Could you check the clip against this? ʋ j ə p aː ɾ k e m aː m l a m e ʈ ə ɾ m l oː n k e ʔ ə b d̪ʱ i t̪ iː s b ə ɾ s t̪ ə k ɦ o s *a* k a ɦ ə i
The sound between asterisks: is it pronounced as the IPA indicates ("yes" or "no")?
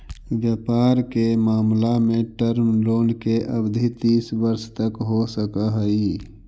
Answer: no